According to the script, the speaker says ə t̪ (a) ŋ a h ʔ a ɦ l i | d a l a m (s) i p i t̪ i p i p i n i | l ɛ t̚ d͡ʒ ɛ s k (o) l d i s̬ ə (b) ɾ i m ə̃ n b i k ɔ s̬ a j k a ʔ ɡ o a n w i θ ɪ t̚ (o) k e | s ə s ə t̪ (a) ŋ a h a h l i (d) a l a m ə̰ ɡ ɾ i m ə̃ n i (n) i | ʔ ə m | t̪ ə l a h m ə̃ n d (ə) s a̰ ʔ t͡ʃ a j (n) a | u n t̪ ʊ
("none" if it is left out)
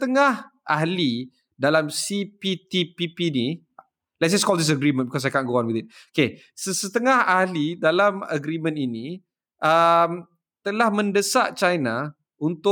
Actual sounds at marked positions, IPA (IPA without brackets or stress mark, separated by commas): ə, s, ɔ, ɡ, o, ə, d, n, ə, n